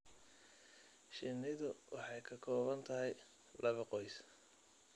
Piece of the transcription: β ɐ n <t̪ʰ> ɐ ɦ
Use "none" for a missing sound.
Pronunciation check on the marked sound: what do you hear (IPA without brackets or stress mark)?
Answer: t̪ʰ